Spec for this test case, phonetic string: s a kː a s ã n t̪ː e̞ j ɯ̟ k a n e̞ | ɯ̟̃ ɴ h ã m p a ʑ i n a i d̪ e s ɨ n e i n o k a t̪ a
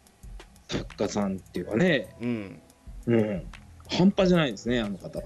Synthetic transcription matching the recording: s a kː a s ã n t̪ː e̞ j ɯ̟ k a n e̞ | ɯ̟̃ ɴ h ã m p a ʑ a n a i d̪ e s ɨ n e a n o k a t̪ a